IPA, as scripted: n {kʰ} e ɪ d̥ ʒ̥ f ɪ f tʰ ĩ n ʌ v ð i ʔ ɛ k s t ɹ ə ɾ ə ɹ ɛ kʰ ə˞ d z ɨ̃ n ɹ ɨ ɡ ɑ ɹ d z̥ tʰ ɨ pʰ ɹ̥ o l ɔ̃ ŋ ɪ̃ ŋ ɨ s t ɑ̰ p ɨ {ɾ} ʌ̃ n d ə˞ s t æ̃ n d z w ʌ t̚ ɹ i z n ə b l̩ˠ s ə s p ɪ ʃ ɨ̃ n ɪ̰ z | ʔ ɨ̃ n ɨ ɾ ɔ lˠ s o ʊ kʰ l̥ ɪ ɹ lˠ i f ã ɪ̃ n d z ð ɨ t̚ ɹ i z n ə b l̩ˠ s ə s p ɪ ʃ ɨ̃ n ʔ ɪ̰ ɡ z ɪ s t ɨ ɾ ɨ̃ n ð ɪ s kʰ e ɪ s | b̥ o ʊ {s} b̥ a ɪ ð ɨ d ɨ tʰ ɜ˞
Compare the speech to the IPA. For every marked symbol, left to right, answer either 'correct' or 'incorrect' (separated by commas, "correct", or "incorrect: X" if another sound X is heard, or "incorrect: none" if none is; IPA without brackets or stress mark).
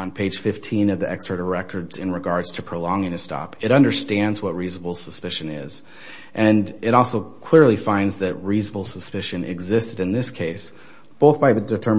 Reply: incorrect: pʰ, correct, incorrect: θ